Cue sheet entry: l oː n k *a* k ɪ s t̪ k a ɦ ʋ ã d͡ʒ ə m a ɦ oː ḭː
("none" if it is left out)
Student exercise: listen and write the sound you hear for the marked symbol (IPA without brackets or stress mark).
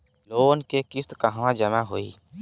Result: e